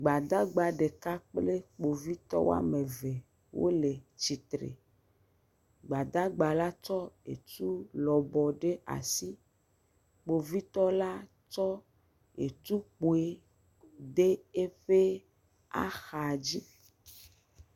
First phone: ɡ͡b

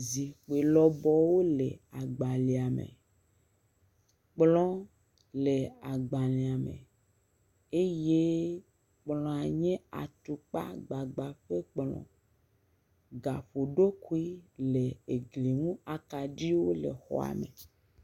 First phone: z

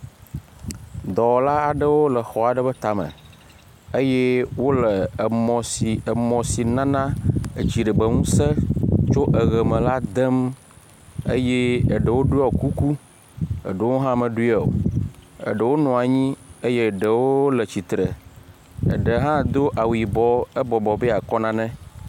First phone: d̪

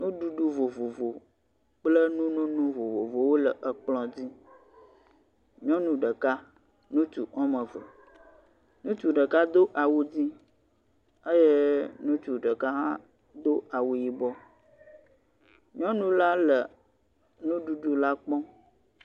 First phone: n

